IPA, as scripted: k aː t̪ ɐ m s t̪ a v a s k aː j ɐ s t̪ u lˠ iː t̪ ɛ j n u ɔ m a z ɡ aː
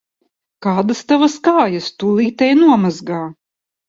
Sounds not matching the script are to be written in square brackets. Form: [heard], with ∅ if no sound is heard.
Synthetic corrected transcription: k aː [d̪] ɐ [∅] s t̪ a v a s k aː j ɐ s t̪ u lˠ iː t̪ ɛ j n u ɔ m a z ɡ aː